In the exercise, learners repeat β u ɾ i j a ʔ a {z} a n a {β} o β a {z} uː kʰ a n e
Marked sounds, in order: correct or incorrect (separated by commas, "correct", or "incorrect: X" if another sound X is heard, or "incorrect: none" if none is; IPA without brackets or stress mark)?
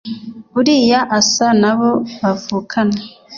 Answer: incorrect: s, correct, incorrect: v